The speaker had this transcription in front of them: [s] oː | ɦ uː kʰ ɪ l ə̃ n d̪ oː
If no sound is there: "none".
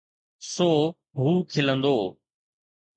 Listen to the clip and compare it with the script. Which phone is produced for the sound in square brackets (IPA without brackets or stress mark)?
s